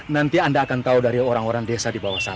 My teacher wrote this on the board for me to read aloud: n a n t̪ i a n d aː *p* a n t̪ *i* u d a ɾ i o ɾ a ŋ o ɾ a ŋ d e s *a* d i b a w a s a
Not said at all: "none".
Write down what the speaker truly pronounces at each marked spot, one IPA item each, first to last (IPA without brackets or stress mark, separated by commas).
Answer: k, a, a